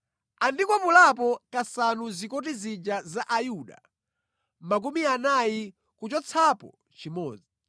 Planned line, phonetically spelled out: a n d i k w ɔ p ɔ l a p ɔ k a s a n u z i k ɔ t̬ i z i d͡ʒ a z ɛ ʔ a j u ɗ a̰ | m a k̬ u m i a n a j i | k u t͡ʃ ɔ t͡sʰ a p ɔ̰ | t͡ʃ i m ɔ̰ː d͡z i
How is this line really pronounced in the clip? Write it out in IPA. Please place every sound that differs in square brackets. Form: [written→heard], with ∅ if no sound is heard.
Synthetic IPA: a n d i k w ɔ p [ɔ→u] l a p ɔ k a s a n u z i k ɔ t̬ i z i d͡ʒ a z [ɛ→a] ʔ a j u ɗ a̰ | m a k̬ u m i a n a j i | k u t͡ʃ ɔ t͡sʰ a p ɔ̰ | t͡ʃ i m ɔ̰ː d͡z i